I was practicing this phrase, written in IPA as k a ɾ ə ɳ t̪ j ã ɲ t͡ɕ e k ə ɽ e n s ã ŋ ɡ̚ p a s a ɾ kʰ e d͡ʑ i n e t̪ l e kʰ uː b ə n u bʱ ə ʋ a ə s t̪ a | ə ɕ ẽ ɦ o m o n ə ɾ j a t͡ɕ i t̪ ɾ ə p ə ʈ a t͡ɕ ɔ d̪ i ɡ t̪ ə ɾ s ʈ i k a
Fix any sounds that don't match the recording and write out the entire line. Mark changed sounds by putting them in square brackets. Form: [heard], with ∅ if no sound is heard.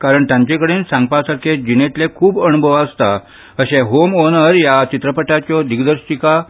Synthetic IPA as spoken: k a ɾ ə ɳ t̪ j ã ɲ t͡ɕ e k ə ɽ e n s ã ŋ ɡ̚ p a s a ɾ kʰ e d͡ʑ i n e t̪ l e kʰ uː b ə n u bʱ ə ʋ a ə s t̪ a | ə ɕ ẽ ɦ o m o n ə ɾ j a t͡ɕ i t̪ ɾ ə p ə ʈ a t͡ɕ ɔ d̪ i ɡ [d̪] ə ɾ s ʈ i k a